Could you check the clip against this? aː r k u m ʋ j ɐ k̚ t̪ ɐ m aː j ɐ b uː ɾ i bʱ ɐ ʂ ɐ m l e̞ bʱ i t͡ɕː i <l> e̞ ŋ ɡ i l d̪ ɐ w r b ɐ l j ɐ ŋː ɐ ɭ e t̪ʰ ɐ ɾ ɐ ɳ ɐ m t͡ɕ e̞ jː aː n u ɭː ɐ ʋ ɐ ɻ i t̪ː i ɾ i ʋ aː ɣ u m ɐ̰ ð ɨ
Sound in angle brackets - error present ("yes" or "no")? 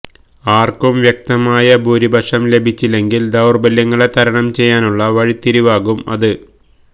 no